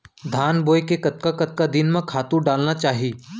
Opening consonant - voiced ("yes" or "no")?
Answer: yes